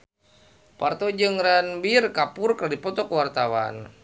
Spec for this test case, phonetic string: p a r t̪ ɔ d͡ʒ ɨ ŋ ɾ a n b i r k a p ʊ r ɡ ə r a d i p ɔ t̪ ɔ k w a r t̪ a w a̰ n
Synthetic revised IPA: p a r t̪ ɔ d͡ʒ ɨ ŋ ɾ a n b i r k a p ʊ r k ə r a d i p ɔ t̪ ɔ k w a r t̪ a w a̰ n